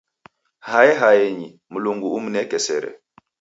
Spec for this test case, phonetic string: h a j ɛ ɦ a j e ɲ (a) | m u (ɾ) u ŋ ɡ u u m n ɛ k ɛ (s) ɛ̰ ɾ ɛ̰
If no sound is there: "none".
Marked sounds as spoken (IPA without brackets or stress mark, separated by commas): i, l, s